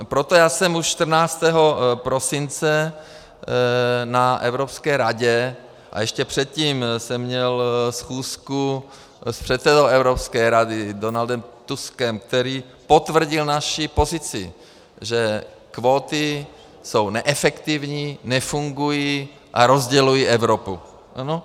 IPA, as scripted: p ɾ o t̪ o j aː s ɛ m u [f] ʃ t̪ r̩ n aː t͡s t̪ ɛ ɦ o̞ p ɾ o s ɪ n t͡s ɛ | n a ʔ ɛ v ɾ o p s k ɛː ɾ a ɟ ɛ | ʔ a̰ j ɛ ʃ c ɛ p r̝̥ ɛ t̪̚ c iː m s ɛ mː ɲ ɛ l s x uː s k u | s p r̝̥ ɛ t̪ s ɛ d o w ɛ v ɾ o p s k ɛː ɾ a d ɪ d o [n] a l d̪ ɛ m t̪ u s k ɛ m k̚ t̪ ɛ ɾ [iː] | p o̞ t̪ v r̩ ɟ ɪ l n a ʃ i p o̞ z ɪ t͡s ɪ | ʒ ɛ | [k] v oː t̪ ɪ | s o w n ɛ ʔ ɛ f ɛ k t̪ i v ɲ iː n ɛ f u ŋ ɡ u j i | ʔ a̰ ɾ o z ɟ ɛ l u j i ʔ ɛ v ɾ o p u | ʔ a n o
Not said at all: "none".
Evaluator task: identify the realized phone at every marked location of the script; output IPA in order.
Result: ʃ, n, iː, k

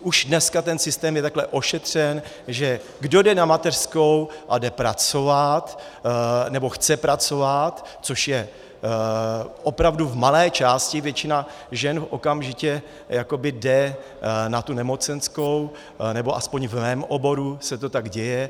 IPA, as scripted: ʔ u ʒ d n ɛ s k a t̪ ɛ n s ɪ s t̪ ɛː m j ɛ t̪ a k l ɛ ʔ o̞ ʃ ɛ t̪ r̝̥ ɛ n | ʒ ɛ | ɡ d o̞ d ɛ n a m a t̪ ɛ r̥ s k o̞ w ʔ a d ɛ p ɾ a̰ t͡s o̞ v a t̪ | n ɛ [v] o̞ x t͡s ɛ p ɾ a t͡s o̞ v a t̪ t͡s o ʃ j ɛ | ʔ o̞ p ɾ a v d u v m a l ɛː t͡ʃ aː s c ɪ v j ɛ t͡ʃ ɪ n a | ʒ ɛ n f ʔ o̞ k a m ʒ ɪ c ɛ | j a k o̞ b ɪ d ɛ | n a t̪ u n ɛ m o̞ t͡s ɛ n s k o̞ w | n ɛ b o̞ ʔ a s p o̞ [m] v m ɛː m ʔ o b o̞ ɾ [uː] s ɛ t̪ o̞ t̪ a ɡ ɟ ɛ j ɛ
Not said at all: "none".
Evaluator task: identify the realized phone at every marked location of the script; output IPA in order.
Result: b, ɲ, u

